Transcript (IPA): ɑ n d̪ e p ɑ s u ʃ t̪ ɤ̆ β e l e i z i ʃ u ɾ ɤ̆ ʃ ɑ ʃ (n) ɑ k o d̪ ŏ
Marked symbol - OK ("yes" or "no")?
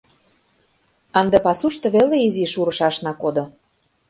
yes